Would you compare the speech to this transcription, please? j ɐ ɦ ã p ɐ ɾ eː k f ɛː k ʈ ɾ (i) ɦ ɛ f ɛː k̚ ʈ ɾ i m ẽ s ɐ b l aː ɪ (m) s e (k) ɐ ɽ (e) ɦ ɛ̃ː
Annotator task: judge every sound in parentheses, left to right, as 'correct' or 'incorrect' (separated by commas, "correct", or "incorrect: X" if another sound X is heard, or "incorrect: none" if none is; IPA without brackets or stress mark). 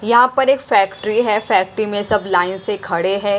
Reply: correct, incorrect: n, incorrect: kʰ, correct